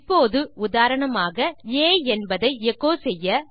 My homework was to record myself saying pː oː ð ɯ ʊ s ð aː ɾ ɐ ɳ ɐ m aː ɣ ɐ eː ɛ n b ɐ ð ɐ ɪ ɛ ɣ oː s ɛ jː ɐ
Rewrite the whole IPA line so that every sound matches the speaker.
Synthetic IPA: pː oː ð ɯ ʊ ð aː ɾ ɐ ɳ ɐ m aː ɣ ɐ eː ɛ n b ɐ ð ɐ ɪ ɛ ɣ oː s ɛ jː ɐ